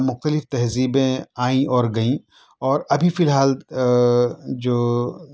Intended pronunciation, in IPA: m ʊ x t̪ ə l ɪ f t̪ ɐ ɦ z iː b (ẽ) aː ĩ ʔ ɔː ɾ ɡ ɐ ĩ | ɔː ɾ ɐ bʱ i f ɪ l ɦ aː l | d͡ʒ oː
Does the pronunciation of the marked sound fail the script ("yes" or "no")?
no